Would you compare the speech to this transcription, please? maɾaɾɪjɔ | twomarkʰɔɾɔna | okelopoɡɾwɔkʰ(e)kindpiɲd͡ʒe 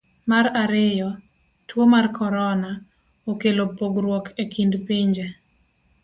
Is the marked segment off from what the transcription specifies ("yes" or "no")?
no